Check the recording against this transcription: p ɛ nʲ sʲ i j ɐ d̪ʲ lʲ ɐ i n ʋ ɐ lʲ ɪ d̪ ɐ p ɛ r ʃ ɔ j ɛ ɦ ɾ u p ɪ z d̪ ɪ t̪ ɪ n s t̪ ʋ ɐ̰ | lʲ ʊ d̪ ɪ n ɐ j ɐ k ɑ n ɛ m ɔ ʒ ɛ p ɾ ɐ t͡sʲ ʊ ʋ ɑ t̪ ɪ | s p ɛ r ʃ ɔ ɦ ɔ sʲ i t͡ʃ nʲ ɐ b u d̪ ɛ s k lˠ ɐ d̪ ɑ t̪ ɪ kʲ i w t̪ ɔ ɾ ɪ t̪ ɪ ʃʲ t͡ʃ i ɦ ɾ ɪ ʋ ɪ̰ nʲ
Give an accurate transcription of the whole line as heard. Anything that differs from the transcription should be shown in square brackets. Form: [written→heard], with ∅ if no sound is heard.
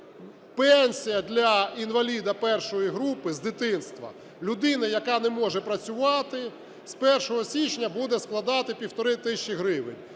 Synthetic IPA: p ɛ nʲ sʲ i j ɐ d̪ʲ lʲ ɐ i n ʋ ɐ lʲ [ɪ→i] d̪ ɐ p ɛ r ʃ ɔ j [ɛ→i] ɦ ɾ u p ɪ z d̪ ɪ t̪ ɪ n s t̪ ʋ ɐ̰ | lʲ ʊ d̪ ɪ n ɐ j ɐ k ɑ n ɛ m ɔ ʒ ɛ p ɾ ɐ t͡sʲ ʊ ʋ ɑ t̪ ɪ | s p ɛ r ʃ ɔ ɦ ɔ sʲ i t͡ʃ nʲ ɐ b u d̪ ɛ s k lˠ ɐ d̪ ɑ t̪ ɪ [kʲ→pʲ] i w t̪ ɔ ɾ ɪ t̪ ɪ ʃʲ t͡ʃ i ɦ ɾ ɪ ʋ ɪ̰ nʲ